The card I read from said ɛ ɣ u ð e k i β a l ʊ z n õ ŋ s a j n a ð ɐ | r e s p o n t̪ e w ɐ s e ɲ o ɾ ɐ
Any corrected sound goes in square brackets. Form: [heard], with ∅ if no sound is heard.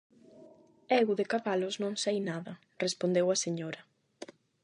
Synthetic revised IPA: ɛ ɣ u ð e k [a] β a l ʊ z n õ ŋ s a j n a ð ɐ | r e s p o n [d̪] e w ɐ s e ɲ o ɾ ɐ